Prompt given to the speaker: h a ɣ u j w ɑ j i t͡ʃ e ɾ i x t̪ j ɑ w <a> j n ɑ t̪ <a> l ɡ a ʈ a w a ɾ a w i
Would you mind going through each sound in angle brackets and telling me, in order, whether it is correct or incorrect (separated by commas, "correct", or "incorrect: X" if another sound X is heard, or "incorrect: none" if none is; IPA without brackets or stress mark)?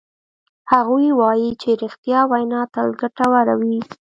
correct, correct